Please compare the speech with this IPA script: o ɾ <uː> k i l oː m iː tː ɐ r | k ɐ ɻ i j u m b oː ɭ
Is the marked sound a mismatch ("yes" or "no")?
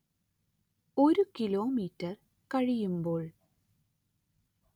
yes